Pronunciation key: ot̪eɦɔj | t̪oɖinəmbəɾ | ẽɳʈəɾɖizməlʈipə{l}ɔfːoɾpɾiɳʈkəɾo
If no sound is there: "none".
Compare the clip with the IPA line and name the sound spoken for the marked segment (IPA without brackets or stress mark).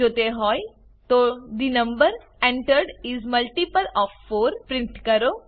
l